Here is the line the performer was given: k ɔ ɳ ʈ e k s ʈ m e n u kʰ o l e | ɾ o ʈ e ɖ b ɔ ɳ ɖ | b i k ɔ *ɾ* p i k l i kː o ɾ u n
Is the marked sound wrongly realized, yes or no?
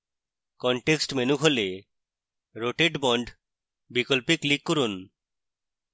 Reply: yes